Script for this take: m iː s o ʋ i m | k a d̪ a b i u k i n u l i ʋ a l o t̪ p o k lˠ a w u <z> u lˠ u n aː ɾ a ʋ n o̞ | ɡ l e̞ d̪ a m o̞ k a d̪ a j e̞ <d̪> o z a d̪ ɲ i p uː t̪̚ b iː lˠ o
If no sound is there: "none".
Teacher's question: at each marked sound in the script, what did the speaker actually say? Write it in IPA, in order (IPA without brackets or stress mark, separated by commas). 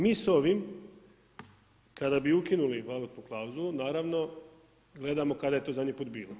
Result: z, t̪